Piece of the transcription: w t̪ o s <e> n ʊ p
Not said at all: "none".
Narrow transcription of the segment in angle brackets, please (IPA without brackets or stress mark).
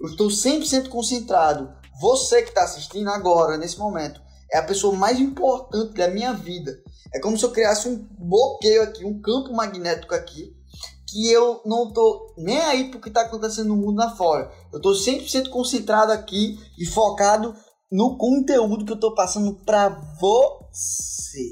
ẽ